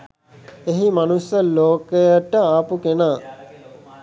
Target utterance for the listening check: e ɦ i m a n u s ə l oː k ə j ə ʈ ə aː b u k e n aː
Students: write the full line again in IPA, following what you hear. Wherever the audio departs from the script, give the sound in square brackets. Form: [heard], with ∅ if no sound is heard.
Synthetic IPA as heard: e ɦ i m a n u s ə l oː k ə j ə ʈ ə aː [p] u k e n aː